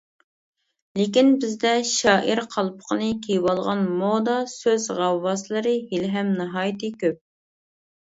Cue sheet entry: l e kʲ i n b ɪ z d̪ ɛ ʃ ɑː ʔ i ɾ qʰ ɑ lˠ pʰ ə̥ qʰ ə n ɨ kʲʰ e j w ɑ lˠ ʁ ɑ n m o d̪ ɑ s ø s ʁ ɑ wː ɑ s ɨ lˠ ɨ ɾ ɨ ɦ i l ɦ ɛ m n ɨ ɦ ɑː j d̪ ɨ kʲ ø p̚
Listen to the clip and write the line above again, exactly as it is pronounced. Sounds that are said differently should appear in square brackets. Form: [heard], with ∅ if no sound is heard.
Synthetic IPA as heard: l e kʲ i n b ɪ z d̪ ɛ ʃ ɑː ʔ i ɾ qʰ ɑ lˠ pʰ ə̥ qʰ ə n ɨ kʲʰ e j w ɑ lˠ ʁ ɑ n m o d̪ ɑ s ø [z] ʁ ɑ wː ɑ s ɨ lˠ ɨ ɾ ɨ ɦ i l ɦ ɛ m n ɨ ɦ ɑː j [t̪] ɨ kʲ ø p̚